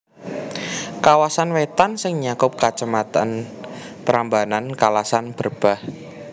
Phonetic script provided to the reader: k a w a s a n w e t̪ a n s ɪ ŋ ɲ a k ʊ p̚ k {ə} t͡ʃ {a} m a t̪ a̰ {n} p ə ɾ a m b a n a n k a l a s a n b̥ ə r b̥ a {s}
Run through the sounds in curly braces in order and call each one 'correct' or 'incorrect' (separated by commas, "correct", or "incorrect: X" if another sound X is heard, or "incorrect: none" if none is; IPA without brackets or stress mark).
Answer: incorrect: a, incorrect: ə, correct, incorrect: h